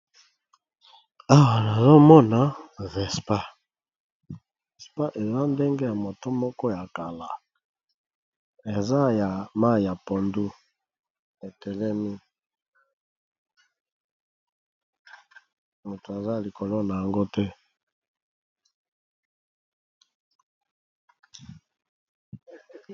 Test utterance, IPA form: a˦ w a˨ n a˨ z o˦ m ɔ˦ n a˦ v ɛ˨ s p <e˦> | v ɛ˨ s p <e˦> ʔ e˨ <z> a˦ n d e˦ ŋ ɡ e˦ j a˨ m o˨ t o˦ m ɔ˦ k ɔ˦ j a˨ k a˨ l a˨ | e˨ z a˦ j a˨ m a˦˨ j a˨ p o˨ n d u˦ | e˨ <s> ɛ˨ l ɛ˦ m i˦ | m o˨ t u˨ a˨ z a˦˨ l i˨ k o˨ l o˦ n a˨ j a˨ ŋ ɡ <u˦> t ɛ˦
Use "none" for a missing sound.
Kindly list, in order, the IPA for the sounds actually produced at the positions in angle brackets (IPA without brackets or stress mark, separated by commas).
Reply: a˦, a˦, z, t, o˦